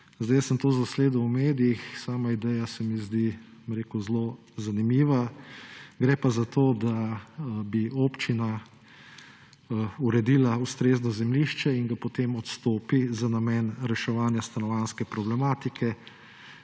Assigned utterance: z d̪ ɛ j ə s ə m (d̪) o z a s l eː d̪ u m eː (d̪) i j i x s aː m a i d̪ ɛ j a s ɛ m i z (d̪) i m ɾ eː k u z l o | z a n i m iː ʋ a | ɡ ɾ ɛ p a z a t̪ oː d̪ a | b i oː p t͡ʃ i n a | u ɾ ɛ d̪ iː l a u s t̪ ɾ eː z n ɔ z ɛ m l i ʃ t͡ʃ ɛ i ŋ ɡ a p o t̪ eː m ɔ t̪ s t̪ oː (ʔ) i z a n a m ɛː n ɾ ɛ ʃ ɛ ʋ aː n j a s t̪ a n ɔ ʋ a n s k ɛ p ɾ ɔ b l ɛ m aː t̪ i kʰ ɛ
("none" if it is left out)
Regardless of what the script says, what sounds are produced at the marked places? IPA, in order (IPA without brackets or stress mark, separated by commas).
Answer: t̪, d̪, d̪, p